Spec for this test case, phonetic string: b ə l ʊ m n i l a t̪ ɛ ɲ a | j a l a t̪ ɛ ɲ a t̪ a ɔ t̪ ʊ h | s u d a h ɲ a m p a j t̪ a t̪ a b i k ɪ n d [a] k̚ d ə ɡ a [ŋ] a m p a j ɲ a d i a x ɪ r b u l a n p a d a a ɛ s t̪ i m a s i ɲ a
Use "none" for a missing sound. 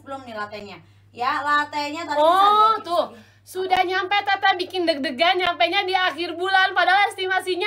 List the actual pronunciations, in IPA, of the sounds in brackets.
ə, ɲ

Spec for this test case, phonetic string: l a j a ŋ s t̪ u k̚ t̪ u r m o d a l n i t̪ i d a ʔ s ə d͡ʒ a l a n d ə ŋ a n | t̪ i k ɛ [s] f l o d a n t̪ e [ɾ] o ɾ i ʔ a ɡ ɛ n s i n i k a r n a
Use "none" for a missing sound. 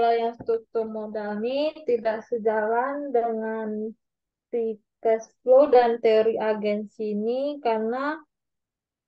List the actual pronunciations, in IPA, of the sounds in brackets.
s, none

